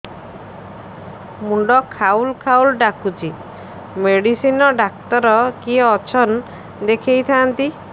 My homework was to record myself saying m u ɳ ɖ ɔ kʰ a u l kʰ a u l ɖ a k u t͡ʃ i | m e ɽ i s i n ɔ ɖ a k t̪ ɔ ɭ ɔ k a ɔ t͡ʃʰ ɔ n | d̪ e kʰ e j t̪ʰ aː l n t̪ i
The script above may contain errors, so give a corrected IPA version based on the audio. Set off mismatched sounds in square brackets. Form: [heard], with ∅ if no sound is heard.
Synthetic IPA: m u ɳ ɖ ɔ kʰ a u l kʰ a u l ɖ a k u t͡ʃ i | m e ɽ i s i n ɔ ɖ a k t̪ ɔ [ɾ] ɔ k [i] ɔ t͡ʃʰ ɔ n | d̪ e kʰ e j t̪ʰ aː [∅] n t̪ i

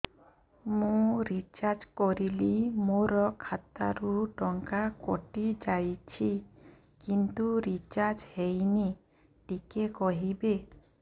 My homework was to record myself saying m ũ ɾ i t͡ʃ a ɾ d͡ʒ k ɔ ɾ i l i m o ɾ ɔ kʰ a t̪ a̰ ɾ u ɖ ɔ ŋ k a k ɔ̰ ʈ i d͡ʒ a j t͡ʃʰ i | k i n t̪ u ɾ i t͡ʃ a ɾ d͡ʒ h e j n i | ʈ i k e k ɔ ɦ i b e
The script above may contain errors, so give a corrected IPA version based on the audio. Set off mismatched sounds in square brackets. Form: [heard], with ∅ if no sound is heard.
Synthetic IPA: m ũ ɾ i t͡ʃ a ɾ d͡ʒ k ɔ ɾ i l i m o ɾ ɔ kʰ a t̪ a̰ ɾ u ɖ ɔ ŋ k a k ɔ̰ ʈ i d͡ʒ a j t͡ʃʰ i | k i n t̪ u ɾ i t͡ʃ a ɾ d͡ʒ h e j n i | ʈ i k e k ɔ ɦ i b e

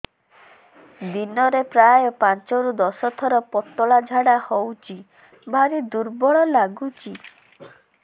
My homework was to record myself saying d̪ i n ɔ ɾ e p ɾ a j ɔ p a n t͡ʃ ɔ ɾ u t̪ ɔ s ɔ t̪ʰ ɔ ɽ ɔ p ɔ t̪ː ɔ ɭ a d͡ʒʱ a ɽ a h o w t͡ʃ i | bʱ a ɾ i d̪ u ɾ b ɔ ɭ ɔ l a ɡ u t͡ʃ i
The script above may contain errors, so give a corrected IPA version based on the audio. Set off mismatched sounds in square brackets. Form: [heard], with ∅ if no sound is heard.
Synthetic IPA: d̪ i n ɔ ɾ e p ɾ a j ɔ p a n t͡ʃ ɔ ɾ u [d̪] ɔ s ɔ t̪ʰ ɔ [ɾ] ɔ p ɔ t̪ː ɔ ɭ a d͡ʒʱ a ɽ a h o w t͡ʃ i | bʱ a ɾ i d̪ u ɾ b ɔ ɭ ɔ l a ɡ u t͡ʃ i

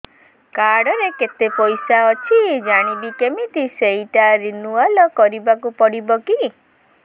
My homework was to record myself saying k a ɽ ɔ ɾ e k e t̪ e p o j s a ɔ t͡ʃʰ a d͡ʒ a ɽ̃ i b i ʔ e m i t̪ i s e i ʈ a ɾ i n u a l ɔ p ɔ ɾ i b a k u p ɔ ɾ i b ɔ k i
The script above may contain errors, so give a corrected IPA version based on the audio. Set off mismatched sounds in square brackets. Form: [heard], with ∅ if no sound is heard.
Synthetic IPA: k a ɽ ɔ ɾ e k e t̪ e p [ɔ] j s a ɔ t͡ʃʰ [i] d͡ʒ a ɽ̃ i b i [k] e m i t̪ i s e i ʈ a ɾ i n u a l ɔ [k] ɔ ɾ i b a k u p ɔ [ɽ] i b ɔ k i

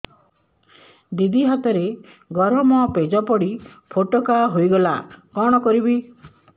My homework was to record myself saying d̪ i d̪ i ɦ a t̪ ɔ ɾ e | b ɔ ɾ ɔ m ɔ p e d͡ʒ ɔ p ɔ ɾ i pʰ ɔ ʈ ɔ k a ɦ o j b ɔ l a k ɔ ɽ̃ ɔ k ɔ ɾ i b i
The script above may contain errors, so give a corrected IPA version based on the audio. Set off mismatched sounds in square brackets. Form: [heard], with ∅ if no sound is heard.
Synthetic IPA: d̪ i d̪ i ɦ a t̪ ɔ ɾ e | [ɡ] ɔ ɾ ɔ m ɔ p e d͡ʒ ɔ p ɔ [ɽ] i pʰ [o] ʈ ɔ k a ɦ o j [ɡ] ɔ l a k ɔ ɽ̃ ɔ k ɔ ɾ i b i

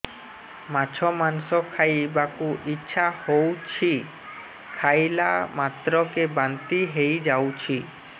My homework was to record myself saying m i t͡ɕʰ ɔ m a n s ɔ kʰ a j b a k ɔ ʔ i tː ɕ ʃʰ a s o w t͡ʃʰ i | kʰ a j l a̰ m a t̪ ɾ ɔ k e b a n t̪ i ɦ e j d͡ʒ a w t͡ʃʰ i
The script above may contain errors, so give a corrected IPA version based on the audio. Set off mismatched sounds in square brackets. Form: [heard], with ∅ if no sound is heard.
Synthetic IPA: m [a] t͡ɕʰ ɔ m a n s ɔ kʰ a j b a k [u] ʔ i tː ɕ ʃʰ a [h] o w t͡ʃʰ i | kʰ a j l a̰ m a t̪ ɾ ɔ k e b a n t̪ i ɦ e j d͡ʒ a w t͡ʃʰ i

